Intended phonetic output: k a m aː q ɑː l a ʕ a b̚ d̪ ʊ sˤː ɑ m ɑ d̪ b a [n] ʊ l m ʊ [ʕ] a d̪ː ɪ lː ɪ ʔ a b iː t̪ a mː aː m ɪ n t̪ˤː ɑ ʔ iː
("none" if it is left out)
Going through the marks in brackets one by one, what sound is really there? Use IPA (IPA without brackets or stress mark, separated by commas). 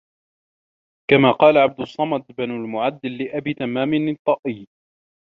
n, ʕ